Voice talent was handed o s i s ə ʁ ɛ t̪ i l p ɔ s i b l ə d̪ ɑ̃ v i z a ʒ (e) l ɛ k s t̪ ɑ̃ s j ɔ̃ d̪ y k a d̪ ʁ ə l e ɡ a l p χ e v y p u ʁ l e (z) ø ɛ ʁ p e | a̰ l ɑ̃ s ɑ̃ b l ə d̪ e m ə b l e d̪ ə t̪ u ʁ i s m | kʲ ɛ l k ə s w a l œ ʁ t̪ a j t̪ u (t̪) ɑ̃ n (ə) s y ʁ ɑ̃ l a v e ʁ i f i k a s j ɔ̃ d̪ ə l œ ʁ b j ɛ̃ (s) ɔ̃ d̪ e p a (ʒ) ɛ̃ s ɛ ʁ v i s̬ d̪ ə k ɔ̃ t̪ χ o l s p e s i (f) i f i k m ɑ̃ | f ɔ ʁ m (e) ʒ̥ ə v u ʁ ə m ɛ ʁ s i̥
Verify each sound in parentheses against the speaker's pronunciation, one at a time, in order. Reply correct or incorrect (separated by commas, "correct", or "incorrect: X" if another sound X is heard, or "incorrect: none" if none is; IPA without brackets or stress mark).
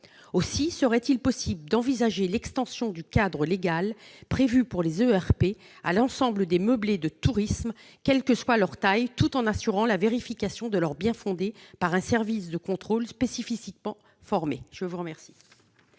correct, correct, correct, incorrect: a, incorrect: f, incorrect: ʁ, correct, correct